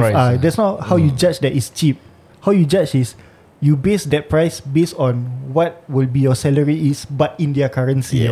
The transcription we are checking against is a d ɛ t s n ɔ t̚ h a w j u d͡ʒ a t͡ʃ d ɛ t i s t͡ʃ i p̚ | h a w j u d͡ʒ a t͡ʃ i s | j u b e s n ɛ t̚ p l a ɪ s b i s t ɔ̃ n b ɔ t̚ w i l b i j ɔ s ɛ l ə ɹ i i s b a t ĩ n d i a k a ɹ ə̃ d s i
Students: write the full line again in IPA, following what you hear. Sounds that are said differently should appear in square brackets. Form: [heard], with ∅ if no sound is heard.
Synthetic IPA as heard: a d ɛ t s n ɔ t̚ h a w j u d͡ʒ a t͡ʃ d ɛ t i s t͡ʃ i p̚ | h a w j u d͡ʒ a t͡ʃ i s | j u b e s [d] ɛ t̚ p [ɹ] a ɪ s b [e] s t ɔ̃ n [w] ɔ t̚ w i l b i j ɔ s ɛ l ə ɹ i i s b a t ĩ n d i a k a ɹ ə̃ [n] s i